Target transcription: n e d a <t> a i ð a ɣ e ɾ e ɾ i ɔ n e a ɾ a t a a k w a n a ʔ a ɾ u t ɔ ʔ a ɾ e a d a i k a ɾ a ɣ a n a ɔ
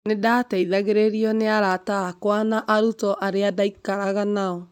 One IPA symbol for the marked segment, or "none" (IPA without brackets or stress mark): t